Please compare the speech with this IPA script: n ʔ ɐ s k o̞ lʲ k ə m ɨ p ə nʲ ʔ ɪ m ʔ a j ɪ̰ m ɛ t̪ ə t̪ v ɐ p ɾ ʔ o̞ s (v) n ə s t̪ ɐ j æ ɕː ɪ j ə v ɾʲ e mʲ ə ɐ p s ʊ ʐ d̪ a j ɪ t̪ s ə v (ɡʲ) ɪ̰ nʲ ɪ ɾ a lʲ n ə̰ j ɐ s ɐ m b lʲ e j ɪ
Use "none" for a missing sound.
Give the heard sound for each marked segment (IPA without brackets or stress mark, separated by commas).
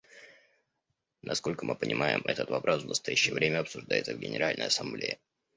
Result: v, ɡʲ